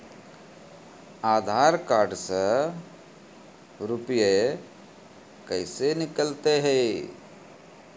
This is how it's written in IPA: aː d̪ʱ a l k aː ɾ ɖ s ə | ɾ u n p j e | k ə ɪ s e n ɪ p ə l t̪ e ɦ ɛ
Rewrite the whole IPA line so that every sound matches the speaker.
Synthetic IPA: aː d̪ʱ a ɾ k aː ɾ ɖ s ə | ɾ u p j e | k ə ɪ s e n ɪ k ə l t̪ e ɦ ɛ